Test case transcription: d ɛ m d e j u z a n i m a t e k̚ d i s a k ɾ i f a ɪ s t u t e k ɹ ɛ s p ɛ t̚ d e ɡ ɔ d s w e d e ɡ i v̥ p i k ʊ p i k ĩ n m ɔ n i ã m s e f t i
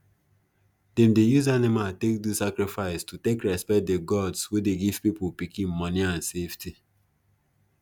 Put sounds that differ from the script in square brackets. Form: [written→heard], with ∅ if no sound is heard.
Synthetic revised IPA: d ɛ m d e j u z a n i m a t e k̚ d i s a k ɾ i f a ɪ s t u t e k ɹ ɛ s p ɛ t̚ d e ɡ ɔ d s w e d e ɡ i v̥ p i [k→p] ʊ p i k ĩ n m ɔ n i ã [m→n] s e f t i